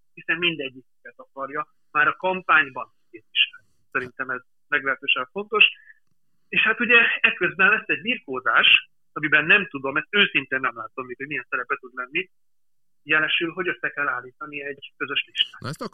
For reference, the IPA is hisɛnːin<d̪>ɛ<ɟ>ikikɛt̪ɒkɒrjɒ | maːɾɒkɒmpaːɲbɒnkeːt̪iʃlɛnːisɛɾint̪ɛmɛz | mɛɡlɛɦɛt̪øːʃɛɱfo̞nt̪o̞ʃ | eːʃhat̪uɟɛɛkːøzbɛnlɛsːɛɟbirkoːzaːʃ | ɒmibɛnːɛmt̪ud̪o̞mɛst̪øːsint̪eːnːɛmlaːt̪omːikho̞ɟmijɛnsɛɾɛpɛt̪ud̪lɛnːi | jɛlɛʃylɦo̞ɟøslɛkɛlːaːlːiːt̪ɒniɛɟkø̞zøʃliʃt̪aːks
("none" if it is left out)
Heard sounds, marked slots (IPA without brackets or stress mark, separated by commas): d̪, ɟː